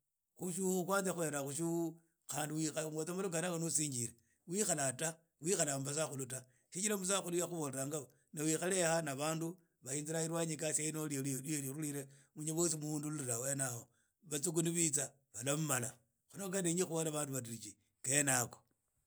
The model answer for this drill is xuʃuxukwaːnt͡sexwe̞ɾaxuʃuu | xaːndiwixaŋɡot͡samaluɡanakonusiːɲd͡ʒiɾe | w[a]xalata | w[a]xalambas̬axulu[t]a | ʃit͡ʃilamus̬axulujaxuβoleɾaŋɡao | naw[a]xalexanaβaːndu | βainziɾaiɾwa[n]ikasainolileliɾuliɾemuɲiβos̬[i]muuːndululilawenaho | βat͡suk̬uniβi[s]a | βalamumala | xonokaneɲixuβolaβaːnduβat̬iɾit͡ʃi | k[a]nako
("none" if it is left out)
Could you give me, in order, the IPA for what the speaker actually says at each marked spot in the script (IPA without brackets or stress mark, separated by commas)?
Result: i, i, t, i, ɲ, i, t͡s, e